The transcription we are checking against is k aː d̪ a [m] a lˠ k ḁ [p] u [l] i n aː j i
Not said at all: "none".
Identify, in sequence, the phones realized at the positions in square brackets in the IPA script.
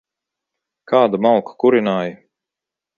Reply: m, k, ɾ

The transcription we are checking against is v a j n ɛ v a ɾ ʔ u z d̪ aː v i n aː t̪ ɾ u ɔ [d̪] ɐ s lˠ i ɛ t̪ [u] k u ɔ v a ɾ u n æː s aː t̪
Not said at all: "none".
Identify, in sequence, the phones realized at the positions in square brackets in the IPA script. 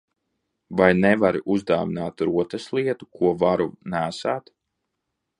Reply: t̪, u

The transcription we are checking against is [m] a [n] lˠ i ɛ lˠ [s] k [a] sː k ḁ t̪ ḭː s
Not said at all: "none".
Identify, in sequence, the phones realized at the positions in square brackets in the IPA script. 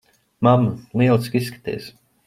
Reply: m, m, s, i

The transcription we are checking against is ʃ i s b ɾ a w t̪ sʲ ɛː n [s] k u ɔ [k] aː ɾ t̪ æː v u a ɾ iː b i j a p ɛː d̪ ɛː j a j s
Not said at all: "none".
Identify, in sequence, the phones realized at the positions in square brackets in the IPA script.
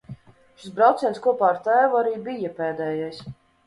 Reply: s, p

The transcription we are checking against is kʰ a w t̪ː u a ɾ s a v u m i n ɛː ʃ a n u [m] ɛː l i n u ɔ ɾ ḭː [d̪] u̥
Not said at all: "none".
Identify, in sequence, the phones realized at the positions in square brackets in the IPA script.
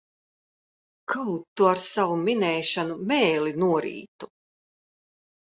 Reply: m, t̪

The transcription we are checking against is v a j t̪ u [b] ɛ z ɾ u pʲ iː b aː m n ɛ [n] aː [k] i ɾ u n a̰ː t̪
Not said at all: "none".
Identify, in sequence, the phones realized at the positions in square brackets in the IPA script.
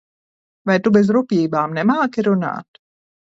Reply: b, m, k

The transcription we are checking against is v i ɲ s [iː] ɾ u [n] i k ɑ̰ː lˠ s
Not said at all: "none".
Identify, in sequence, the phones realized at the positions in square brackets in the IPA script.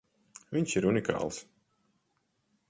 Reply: i, n

